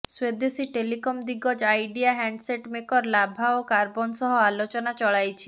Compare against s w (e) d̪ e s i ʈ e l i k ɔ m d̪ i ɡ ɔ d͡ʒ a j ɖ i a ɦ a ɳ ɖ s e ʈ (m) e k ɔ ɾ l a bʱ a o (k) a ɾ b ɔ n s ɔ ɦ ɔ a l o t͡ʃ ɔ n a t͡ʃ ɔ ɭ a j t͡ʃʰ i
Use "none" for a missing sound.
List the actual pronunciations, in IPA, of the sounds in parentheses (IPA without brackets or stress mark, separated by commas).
e, m, k